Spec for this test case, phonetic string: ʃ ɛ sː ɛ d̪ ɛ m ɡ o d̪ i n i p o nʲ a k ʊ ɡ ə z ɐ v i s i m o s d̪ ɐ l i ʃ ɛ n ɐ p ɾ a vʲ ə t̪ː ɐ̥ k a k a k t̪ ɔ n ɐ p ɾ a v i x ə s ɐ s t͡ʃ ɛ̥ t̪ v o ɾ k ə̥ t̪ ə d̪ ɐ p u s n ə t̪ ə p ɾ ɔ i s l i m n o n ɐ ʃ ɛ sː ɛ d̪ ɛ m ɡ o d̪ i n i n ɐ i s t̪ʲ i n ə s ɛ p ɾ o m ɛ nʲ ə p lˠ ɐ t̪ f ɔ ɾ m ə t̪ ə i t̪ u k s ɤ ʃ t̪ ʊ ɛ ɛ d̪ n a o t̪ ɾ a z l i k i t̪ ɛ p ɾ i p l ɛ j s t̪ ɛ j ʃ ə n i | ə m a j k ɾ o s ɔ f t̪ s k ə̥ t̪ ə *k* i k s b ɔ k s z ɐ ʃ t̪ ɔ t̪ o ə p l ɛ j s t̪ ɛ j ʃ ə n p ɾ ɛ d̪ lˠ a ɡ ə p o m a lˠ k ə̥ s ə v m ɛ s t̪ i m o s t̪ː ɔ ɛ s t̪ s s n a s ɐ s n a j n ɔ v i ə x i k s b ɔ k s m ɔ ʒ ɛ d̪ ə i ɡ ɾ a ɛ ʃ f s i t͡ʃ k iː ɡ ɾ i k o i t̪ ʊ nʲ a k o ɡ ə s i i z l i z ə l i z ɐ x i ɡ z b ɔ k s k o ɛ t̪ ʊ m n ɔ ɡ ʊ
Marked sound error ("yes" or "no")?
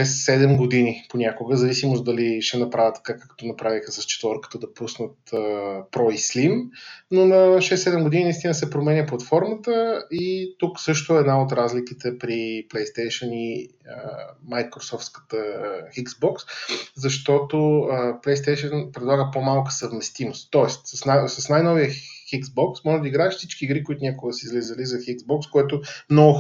yes